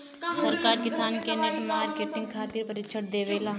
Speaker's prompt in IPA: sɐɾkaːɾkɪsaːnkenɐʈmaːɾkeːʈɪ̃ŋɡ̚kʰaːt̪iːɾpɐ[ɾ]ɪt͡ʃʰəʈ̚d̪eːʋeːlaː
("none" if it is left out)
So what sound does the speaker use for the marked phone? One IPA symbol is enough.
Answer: ɾ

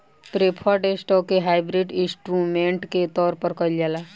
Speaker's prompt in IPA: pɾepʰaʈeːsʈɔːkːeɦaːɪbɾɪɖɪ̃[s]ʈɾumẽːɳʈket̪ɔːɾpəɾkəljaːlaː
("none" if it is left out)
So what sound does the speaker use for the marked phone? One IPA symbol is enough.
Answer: s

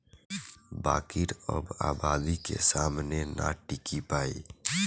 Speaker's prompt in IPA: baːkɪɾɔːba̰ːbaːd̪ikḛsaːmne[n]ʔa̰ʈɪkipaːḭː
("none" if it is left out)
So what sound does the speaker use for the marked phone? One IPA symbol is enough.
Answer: n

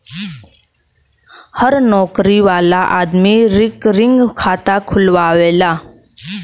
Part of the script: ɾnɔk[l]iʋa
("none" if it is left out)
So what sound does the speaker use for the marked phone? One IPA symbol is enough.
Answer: ɾ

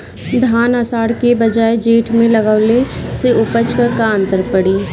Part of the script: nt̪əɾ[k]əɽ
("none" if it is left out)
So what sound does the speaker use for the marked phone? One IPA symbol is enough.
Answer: p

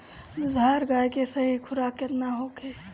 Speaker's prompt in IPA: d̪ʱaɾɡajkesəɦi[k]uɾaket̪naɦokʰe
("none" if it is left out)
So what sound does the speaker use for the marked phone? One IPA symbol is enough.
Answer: kʰ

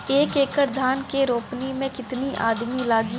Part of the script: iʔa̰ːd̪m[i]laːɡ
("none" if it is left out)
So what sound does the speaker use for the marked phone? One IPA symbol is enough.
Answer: i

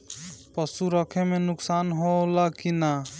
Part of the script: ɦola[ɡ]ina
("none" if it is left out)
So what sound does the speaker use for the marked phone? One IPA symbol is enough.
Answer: k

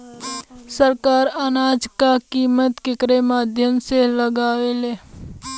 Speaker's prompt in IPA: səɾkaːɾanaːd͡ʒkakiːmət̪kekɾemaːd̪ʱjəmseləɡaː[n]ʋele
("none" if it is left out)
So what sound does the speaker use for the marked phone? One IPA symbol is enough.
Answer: none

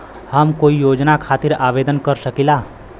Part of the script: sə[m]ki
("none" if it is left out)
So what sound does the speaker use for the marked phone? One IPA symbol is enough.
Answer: none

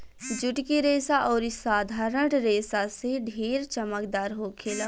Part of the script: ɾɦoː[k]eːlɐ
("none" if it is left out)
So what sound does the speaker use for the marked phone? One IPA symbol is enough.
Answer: kʰ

